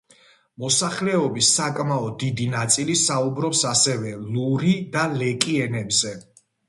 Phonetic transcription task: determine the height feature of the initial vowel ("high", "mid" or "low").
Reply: mid